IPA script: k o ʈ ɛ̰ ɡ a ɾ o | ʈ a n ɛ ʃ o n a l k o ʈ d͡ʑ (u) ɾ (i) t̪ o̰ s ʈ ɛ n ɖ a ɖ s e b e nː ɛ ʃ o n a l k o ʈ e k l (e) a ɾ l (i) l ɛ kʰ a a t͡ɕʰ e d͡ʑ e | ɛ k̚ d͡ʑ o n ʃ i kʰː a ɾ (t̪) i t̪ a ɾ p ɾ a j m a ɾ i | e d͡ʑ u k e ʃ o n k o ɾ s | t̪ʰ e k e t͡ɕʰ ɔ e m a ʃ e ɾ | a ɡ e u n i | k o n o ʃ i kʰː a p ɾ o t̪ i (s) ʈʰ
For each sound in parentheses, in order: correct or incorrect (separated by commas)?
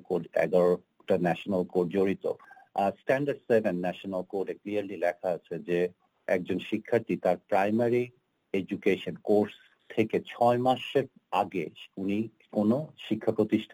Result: incorrect, correct, incorrect, correct, correct, incorrect